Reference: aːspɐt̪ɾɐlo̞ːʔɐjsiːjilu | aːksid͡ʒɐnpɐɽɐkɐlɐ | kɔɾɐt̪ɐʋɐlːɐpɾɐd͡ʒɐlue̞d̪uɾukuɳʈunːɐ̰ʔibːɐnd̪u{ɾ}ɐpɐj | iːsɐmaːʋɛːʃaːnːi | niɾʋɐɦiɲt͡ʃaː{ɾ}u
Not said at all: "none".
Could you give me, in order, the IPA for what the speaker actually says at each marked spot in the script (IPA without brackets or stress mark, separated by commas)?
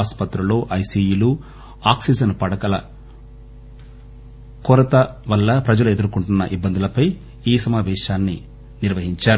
l, ɾ